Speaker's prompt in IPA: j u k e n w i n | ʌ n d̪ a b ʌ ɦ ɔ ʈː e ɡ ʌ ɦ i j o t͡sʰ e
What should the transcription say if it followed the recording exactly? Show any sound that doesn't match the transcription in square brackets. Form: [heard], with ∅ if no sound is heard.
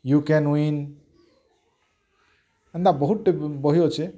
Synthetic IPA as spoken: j u k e n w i n | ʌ n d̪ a b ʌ ɦ [u] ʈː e [b] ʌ ɦ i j o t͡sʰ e